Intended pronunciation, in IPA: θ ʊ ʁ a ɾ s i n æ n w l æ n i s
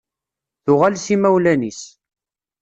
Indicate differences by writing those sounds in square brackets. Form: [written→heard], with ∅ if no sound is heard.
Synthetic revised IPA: θ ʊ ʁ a [ɾ→l] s i [n→m] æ [n→∅] w l æ n i s